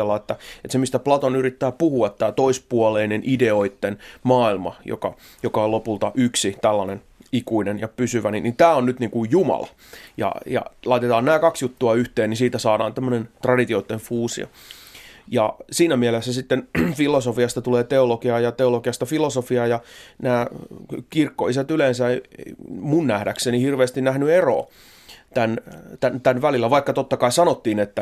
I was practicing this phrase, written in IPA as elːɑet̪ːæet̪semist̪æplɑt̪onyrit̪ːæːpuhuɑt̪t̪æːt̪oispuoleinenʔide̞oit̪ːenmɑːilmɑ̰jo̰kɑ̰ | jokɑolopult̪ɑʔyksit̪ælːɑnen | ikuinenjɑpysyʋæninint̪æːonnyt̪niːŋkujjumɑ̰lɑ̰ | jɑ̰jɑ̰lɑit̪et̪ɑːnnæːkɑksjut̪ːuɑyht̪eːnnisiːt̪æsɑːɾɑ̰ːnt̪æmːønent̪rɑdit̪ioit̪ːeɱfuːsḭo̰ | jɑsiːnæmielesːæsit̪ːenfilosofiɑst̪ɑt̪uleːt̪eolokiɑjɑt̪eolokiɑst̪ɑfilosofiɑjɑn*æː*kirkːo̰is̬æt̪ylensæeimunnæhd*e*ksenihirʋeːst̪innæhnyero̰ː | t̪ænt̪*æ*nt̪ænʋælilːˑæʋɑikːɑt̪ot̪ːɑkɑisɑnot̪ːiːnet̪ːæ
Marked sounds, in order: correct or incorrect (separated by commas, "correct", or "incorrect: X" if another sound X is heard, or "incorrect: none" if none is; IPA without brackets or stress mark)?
correct, incorrect: æ, correct